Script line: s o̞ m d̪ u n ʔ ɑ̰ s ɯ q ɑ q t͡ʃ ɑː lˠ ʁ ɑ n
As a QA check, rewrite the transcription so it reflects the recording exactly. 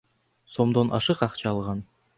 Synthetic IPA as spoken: s o̞ m d̪ o n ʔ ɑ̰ ʃ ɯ q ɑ q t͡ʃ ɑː lˠ ʁ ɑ n